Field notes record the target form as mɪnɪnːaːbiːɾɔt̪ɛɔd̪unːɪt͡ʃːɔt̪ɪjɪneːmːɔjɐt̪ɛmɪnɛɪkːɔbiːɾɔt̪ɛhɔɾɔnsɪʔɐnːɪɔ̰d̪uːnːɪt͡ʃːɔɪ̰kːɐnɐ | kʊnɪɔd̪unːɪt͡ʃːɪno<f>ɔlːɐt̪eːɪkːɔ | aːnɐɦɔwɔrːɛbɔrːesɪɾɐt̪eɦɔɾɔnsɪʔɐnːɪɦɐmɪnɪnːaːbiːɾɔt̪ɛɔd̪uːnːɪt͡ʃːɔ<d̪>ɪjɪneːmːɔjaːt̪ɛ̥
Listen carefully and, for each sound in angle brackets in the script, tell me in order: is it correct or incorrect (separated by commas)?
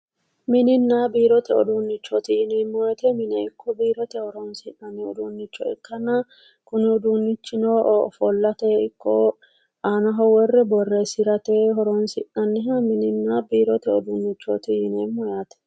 correct, incorrect